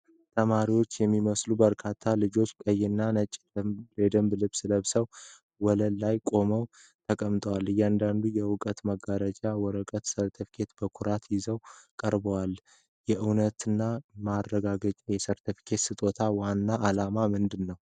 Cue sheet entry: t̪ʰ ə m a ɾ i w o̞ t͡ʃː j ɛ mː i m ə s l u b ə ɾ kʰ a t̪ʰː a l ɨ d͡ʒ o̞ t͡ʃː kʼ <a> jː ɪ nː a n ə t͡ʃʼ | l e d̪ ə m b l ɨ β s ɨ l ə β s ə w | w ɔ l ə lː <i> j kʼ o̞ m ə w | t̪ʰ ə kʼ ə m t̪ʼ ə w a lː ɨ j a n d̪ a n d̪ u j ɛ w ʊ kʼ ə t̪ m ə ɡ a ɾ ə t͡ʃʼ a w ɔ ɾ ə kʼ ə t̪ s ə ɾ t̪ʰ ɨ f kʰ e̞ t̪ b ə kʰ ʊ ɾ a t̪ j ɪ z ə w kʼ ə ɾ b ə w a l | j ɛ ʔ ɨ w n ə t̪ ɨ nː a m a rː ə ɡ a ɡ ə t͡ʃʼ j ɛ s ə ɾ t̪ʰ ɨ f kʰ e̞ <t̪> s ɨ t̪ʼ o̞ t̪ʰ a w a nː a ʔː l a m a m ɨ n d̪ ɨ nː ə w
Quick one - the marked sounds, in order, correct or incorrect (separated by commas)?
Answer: incorrect, incorrect, correct